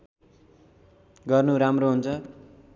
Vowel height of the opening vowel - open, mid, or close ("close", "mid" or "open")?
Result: mid